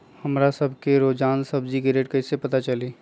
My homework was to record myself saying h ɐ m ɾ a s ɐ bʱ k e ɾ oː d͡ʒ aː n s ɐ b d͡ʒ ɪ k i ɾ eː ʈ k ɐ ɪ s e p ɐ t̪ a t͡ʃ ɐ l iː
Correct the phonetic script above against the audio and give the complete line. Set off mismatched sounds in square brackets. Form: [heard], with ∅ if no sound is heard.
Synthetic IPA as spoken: h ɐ m ɾ a s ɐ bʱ k e ɾ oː d͡ʒ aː n s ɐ b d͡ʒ [i] k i ɾ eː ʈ k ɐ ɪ s e p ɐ t̪ a t͡ʃ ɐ l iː